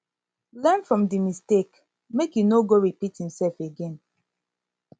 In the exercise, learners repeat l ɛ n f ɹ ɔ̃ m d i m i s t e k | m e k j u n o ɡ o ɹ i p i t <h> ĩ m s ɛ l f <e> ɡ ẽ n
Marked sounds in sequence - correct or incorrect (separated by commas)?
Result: correct, correct